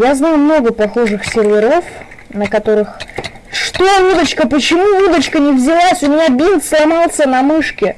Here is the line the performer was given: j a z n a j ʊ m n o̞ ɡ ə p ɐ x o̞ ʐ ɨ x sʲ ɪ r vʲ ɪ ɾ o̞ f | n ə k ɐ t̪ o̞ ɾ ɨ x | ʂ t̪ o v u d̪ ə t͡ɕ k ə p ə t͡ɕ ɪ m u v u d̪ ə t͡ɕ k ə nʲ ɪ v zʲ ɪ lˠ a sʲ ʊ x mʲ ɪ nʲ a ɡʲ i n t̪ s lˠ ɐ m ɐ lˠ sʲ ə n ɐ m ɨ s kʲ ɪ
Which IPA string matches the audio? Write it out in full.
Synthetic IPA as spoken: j a z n a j ʊ m n o̞ ɡ ə p ɐ x o̞ ʐ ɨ x sʲ ɪ r vʲ ɪ ɾ o̞ f | n ə k ɐ t̪ o̞ ɾ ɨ x | ʂ t̪ o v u d̪ ə t͡ɕ k ə p ə t͡ɕ ɪ m u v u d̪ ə t͡ɕ k ə nʲ ɪ v zʲ ɪ lˠ a sʲ ʊ mʲ ɪ nʲ a bʲ i n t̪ s lˠ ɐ m ɑ lˠ sʲ ə n ɐ m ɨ ʂ kʲ ɪ